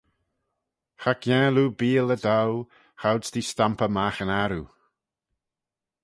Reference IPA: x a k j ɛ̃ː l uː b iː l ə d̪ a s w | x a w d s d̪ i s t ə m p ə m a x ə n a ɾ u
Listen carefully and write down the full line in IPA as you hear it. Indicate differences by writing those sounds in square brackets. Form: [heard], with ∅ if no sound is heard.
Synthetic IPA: x a k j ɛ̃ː l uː b iː l ə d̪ a [∅] w | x a w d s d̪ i s t [a] m p ə m a x ə n a ɾ u